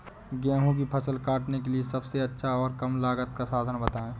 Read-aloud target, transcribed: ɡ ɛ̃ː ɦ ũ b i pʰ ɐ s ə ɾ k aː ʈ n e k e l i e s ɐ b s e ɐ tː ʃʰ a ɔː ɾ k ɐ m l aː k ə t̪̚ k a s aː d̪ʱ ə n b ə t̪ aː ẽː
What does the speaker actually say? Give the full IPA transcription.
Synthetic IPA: ɡ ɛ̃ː ɦ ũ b i pʰ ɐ s ə l k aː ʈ n e k e l i e s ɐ b s e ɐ tː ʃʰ a ɔː ɾ k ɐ m l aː ɡ ə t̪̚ k a s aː d̪ʱ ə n b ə t̪ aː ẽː